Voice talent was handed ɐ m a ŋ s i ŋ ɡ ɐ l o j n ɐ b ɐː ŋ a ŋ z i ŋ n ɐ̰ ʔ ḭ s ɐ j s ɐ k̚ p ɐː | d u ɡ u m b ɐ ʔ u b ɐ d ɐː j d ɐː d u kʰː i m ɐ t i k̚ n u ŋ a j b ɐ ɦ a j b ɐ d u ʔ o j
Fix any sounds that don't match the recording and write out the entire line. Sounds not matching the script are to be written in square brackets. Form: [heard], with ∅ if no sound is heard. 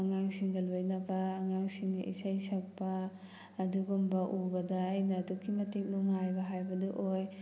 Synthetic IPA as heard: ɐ [ŋ] a ŋ s i ŋ ɡ ɐ l o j n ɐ b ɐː ŋ a ŋ [s] i ŋ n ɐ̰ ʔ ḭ s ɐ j s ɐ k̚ p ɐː | d u ɡ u m b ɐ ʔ u b ɐ d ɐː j [n] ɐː d u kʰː i m ɐ t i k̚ n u ŋ a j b ɐ ɦ a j b ɐ d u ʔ o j

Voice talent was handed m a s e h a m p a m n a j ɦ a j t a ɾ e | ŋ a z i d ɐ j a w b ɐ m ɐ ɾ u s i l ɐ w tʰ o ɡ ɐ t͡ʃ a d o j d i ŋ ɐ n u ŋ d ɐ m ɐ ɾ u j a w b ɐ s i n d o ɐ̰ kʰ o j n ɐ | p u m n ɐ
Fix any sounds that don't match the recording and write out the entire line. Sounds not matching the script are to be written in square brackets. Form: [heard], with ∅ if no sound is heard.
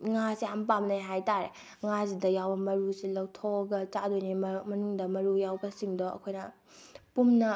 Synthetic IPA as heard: [ŋ] a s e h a m p a m n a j ɦ a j t a ɾ e | ŋ a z i d ɐ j a w b ɐ m ɐ ɾ u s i l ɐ w tʰ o ɡ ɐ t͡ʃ a d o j [n] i [m] ɐ n u ŋ d ɐ m ɐ ɾ u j a w b ɐ s i [ŋ] d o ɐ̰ kʰ o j n ɐ | p u m n ɐ

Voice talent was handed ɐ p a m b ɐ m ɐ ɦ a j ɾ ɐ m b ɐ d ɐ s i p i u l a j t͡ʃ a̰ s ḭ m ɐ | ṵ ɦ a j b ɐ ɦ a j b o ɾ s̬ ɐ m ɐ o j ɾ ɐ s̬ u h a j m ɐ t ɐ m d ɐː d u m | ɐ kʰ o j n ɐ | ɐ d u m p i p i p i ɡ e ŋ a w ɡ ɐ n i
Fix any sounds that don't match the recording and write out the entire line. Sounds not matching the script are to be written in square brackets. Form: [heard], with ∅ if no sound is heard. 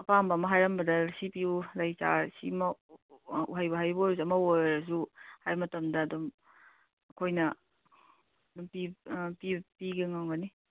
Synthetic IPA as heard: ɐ p a m b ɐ m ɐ ɦ a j ɾ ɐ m b ɐ d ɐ s i p i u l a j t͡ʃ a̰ s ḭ m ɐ | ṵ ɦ a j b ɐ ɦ a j b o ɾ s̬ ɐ m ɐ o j ɾ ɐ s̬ u h a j m ɐ t ɐ m d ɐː d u m | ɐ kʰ o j n ɐ | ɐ d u m p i p i p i ɡ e ŋ a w ɡ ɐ n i

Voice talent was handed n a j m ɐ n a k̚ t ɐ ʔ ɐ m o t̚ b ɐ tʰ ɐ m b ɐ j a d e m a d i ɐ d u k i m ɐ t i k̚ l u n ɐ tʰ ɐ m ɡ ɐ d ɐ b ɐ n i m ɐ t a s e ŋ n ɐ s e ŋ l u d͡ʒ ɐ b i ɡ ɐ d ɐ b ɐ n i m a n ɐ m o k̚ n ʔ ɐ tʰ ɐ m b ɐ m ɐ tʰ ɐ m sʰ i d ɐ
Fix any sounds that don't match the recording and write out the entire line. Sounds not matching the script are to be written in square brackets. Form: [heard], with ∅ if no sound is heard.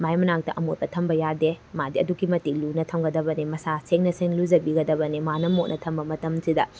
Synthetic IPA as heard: [m] a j m ɐ n a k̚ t ɐ ʔ ɐ m o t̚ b ɐ tʰ ɐ m b ɐ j a d e m a d i ɐ d u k i m ɐ t i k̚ l u n ɐ tʰ ɐ m ɡ ɐ d ɐ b ɐ n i m ɐ [s] a s e ŋ n ɐ s e ŋ l u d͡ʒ ɐ b i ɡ ɐ d ɐ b ɐ n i m a n ɐ m o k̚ n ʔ ɐ tʰ ɐ m b ɐ m ɐ [t] ɐ m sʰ i d ɐ

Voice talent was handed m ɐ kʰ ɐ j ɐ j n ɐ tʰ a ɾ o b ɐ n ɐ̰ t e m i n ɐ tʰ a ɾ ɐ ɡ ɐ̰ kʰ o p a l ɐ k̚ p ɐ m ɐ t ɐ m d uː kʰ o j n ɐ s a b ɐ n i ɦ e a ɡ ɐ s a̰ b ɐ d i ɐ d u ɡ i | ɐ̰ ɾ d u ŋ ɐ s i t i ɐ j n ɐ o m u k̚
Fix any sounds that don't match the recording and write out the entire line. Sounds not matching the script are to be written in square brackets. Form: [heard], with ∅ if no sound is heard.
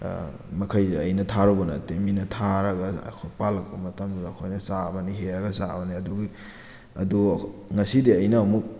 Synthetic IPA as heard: m ɐ kʰ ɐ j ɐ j n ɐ tʰ a ɾ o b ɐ n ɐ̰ t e m i n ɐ tʰ a ɾ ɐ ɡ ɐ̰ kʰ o p a l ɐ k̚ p ɐ m ɐ t ɐ m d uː kʰ o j n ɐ s a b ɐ n i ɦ e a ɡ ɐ s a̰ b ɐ [n] i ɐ d u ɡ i | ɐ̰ [∅] d u ŋ ɐ s i [d] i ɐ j n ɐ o m u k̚

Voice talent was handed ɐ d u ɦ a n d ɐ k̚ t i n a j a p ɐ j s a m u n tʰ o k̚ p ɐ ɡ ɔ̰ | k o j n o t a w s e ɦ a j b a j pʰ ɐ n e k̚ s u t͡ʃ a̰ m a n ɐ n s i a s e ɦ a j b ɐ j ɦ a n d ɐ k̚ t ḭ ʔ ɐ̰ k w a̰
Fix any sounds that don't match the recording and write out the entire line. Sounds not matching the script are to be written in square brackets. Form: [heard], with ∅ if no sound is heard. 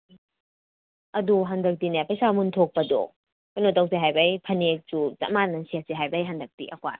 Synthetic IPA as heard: ɐ d u ɦ a n d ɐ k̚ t i n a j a p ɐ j s a m u n tʰ o k̚ p ɐ [d] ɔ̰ | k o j n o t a w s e ɦ a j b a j pʰ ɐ n e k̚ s u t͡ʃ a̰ m a n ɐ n s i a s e ɦ a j b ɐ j ɦ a n d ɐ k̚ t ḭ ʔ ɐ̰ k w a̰

